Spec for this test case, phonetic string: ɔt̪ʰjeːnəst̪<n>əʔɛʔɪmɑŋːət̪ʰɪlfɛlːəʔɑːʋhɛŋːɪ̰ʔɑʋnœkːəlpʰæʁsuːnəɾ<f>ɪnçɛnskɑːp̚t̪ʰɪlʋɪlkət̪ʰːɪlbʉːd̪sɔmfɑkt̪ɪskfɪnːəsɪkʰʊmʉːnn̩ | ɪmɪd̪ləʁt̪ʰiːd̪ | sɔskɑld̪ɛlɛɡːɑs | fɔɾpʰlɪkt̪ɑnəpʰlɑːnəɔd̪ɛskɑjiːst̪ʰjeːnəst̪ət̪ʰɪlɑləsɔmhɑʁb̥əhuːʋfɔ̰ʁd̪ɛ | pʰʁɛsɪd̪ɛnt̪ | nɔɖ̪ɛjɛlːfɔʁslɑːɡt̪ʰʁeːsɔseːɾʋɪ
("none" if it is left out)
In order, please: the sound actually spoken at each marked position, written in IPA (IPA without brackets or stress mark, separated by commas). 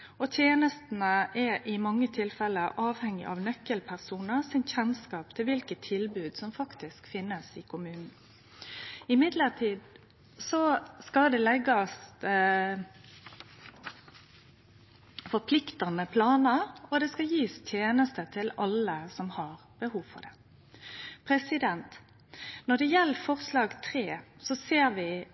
n, s